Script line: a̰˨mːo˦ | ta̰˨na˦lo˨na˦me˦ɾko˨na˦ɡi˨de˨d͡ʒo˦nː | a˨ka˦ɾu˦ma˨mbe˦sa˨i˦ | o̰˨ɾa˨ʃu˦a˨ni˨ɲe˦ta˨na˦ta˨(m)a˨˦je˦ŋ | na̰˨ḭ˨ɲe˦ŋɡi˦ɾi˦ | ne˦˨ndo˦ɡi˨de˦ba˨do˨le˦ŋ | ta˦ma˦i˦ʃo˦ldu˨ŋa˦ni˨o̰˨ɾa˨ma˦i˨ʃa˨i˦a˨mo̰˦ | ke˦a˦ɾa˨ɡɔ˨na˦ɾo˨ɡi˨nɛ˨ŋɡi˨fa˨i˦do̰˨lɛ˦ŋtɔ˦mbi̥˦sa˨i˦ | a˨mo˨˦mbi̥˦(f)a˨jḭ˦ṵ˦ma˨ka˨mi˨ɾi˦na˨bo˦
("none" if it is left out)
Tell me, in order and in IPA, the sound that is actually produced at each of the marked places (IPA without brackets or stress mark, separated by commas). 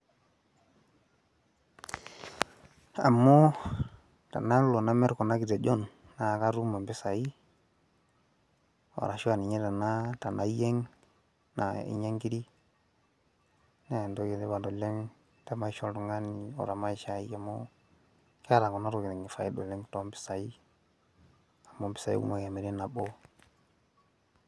n, s